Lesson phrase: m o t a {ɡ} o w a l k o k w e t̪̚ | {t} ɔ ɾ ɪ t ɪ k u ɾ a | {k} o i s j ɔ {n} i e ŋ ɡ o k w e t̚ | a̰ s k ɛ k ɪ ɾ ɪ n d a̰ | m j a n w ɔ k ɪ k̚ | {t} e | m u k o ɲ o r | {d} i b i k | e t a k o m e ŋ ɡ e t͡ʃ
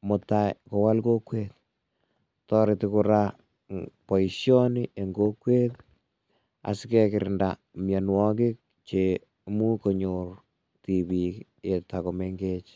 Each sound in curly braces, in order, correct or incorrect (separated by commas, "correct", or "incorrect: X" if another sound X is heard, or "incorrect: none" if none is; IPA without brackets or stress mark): incorrect: k, correct, incorrect: p, correct, incorrect: t͡ʃ, incorrect: t